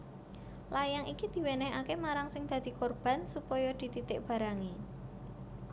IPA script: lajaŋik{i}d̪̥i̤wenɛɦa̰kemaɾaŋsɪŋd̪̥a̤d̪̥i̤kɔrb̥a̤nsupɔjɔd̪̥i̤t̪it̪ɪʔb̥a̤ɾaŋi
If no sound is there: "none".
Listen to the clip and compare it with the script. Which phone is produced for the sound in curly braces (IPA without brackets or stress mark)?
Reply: i